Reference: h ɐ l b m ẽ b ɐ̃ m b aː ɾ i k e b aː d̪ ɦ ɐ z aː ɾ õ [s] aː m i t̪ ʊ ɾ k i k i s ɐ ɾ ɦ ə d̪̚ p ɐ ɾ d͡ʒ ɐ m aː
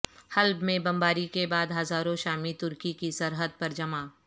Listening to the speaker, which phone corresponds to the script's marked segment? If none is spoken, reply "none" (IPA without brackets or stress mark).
ʃ